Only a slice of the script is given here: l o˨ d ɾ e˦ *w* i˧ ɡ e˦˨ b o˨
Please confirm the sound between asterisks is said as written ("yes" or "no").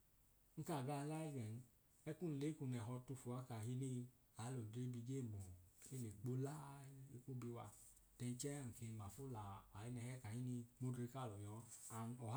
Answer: no